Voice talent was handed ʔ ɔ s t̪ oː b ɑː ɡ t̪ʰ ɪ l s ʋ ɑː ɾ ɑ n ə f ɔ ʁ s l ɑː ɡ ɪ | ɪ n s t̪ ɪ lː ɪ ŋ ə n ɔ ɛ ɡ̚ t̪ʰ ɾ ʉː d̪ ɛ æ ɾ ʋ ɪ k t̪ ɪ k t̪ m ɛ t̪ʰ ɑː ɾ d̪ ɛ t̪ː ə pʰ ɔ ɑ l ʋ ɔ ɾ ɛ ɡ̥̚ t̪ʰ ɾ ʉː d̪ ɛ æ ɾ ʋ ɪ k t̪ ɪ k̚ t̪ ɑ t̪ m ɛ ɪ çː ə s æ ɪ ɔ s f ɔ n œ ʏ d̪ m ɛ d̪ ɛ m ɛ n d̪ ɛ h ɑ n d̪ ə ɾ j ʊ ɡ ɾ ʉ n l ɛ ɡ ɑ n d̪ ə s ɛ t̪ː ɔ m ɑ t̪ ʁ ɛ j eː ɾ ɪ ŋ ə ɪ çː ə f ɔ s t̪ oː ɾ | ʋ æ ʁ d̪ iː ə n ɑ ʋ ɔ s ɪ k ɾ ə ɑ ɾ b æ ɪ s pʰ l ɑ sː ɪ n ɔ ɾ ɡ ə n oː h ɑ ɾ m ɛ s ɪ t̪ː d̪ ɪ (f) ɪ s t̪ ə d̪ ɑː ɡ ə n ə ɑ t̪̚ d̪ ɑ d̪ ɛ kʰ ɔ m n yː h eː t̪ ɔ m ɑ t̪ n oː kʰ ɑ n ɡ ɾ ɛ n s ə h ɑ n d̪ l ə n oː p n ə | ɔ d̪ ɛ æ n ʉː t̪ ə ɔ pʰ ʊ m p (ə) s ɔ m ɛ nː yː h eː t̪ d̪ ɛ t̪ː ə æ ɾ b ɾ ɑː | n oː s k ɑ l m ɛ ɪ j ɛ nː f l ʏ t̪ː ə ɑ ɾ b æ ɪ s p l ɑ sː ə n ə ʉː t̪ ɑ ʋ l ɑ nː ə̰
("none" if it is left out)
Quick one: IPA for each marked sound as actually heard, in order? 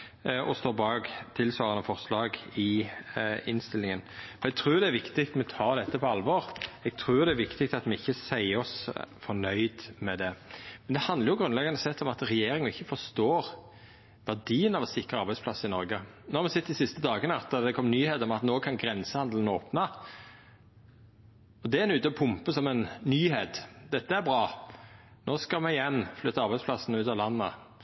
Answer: s, ə

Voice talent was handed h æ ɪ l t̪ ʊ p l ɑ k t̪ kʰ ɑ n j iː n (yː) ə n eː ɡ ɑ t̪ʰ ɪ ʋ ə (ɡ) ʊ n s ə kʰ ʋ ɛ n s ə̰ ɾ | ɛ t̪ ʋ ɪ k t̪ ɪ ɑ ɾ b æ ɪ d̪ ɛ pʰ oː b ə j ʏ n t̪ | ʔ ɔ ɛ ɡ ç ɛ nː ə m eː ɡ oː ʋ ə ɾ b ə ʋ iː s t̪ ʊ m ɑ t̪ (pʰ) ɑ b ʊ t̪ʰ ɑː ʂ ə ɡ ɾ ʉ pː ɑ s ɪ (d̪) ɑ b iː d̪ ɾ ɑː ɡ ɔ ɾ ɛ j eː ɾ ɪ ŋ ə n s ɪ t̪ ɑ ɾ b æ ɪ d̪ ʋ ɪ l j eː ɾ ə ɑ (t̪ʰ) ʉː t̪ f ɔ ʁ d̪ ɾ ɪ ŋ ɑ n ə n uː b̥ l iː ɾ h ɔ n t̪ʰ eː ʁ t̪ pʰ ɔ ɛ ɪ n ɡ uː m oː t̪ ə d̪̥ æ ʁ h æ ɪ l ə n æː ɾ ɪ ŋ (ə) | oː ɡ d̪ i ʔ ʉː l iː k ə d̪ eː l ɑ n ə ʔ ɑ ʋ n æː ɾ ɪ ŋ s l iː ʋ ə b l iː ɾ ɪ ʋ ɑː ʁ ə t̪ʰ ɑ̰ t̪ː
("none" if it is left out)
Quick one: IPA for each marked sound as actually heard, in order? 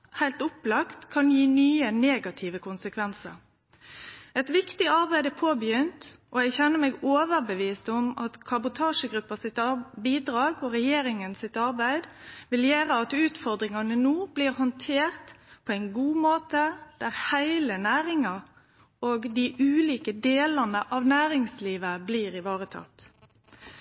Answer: yː, k, kʰ, t̪, t̪, ɑ

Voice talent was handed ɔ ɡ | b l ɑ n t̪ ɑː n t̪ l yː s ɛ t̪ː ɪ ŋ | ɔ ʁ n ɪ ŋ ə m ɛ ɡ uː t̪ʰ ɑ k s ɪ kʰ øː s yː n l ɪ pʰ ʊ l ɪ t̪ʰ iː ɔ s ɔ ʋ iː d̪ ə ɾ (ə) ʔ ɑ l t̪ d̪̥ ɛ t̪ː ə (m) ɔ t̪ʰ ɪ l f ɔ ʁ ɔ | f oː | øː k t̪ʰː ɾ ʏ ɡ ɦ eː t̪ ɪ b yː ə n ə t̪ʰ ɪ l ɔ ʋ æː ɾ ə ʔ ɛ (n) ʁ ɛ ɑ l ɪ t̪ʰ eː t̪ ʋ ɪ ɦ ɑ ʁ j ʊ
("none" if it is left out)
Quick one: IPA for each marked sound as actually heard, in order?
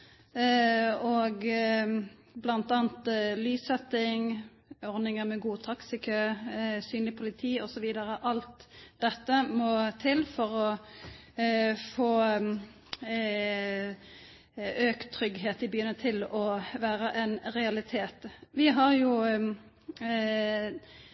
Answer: ə, m, n

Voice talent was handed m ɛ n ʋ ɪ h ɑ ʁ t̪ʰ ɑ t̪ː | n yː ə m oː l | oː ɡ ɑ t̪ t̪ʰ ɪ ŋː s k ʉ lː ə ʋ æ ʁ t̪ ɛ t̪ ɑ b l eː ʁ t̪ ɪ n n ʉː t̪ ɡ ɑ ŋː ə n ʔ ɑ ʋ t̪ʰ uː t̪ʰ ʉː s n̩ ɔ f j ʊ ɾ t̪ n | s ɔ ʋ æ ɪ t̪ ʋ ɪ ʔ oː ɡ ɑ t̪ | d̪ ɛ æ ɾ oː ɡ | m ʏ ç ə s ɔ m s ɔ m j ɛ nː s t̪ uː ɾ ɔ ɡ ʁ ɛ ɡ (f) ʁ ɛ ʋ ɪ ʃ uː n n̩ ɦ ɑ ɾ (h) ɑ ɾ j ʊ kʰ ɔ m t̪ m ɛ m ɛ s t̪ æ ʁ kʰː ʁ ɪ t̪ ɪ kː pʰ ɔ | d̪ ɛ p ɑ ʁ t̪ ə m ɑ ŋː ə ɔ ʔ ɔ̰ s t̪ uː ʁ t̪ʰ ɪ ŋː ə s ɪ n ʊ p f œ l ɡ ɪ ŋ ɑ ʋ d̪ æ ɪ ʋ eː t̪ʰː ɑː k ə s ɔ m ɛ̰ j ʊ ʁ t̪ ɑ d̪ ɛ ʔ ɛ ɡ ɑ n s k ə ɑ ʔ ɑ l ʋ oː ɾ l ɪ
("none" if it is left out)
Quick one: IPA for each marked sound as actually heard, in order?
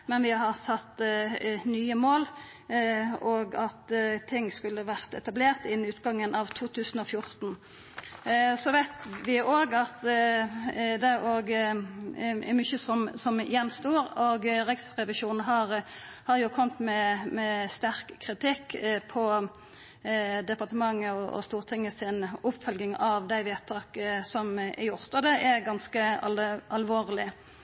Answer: s, h

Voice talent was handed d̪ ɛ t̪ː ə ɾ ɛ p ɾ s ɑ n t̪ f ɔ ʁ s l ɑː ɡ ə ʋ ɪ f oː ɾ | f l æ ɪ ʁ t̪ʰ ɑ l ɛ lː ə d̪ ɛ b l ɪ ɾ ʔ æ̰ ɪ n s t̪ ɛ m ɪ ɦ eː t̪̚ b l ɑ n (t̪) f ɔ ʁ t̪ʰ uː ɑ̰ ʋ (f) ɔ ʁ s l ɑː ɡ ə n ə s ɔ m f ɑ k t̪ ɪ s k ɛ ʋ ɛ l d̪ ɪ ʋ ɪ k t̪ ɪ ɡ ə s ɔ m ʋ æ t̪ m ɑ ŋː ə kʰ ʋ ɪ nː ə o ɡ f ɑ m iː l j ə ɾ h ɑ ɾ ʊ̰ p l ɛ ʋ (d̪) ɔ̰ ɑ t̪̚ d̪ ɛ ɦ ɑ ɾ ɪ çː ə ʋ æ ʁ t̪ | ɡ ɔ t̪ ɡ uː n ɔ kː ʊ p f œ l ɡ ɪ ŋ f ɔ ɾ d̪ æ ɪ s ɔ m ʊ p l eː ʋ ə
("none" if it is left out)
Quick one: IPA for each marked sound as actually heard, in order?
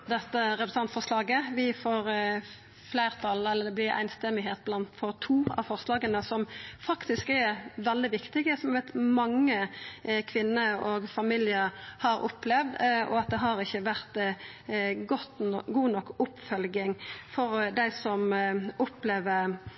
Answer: t̪, f, d̪

